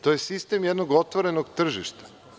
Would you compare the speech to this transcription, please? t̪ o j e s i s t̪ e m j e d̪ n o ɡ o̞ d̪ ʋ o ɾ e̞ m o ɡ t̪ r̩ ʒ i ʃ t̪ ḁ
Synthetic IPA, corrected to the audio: t̪ o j e s i s t̪ e m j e d̪ n o ɡ o̞ t̪ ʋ o ɾ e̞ n o ɡ t̪ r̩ ʒ i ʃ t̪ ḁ